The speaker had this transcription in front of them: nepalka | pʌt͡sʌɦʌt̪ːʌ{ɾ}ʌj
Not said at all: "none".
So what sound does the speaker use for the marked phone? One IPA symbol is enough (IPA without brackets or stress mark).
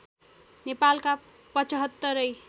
ɾ